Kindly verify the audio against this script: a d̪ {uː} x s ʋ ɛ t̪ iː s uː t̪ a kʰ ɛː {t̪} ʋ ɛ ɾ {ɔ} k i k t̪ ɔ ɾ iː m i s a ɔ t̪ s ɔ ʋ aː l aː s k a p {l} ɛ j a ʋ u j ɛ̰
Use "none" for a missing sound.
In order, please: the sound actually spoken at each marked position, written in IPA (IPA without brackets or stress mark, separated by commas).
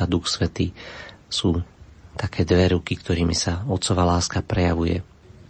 u, d̪, u, ɾ